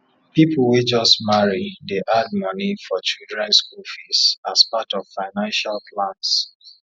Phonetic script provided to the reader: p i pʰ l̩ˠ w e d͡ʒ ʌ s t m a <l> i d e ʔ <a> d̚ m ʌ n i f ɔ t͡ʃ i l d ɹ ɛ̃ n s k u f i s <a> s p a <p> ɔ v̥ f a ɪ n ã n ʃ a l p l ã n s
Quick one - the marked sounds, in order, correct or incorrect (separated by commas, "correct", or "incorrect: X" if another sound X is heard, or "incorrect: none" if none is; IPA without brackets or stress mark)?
incorrect: ɹ, correct, correct, incorrect: t